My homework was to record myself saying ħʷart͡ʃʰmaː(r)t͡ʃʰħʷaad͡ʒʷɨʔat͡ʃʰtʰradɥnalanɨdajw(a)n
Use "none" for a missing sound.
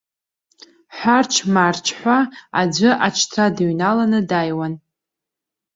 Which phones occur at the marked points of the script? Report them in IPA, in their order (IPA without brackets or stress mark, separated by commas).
r, a